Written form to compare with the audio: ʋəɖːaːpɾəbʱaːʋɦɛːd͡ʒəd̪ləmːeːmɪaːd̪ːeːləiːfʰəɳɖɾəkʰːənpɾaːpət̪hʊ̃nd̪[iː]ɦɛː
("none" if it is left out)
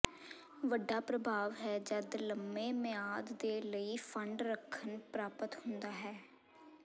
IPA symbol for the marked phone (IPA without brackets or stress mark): aː